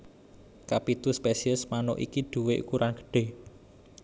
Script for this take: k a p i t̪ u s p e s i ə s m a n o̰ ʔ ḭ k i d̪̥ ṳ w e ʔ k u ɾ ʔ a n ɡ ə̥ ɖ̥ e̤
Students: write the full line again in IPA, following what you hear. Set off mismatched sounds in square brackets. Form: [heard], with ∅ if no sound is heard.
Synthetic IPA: k a p i t̪ u s p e s i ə s m a n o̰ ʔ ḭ k i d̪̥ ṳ w e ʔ k u ɾ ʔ a n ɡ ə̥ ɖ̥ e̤